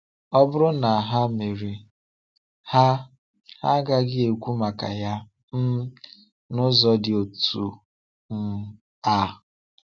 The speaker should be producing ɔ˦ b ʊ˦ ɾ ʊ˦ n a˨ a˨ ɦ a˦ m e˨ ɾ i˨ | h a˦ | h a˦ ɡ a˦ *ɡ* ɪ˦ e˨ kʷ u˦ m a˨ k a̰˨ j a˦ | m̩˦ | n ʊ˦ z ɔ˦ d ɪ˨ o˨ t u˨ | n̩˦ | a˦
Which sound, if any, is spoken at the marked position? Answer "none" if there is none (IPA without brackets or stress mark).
ɡ